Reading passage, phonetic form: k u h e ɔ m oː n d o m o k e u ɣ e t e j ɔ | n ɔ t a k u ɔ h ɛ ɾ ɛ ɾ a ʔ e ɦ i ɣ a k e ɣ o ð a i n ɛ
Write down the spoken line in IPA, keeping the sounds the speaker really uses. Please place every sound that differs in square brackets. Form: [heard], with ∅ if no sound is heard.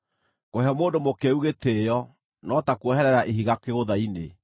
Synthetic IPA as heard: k [o] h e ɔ m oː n d o m o k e u ɣ e t e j ɔ | n ɔ t a k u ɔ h ɛ ɾ ɛ ɾ a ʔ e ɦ i ɣ a k e ɣ o ð a i n [e]